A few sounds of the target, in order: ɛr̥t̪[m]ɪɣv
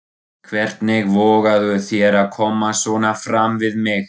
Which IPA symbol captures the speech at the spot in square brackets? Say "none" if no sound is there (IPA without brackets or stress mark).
n